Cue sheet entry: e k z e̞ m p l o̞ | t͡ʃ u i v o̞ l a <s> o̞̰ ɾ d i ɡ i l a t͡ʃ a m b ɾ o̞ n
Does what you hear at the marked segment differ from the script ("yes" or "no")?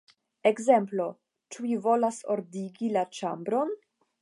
no